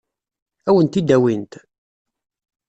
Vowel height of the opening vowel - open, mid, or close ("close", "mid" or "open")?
open